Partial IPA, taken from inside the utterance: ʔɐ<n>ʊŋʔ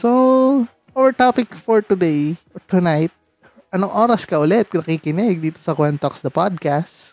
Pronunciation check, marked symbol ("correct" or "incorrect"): correct